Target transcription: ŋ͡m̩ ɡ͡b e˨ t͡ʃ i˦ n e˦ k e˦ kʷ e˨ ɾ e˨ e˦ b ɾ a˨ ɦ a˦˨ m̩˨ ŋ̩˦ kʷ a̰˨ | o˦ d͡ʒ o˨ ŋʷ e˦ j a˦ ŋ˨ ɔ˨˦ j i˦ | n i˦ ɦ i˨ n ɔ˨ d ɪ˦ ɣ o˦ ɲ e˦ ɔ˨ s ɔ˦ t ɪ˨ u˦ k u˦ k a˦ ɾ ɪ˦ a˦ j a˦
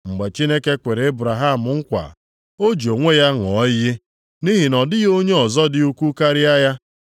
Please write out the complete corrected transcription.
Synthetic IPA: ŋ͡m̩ ɡ͡b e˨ t͡ʃ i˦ n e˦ k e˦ kʷ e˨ ɾ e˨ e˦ b ɾ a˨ ɦ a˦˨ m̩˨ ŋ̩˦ kʷ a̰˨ | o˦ d͡ʒ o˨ ŋʷ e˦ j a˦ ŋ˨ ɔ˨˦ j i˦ | n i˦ ɦ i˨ n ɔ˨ d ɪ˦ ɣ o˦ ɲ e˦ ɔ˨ z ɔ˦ d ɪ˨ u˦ k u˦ k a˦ ɾ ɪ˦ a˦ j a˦

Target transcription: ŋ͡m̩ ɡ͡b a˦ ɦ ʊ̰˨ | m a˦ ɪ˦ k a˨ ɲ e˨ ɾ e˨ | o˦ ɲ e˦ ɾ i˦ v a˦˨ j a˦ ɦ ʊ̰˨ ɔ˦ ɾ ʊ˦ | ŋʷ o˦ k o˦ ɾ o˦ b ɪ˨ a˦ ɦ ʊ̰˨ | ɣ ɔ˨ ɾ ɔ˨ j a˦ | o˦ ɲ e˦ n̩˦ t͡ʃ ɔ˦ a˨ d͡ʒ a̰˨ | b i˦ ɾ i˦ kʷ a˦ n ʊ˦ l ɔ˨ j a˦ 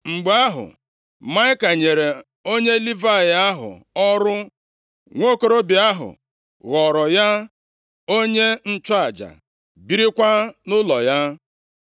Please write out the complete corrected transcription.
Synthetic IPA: ŋ͡m̩ ɡ͡b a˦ ɦ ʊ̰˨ | m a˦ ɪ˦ k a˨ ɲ e˨ ɾ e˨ | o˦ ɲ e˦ l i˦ v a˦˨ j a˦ ɦ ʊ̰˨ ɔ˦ ɾ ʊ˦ | ŋʷ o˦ k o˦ ɾ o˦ b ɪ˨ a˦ ɦ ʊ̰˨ | ɣ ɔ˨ ɾ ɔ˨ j a˦ | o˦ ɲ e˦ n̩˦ t͡ʃ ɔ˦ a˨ d͡ʒ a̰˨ | b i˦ ɾ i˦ kʷ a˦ n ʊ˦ l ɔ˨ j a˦

